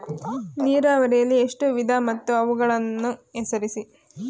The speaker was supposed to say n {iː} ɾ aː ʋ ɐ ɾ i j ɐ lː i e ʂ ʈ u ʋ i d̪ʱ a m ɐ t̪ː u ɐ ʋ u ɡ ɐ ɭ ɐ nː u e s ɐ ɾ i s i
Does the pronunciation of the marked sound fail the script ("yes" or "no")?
no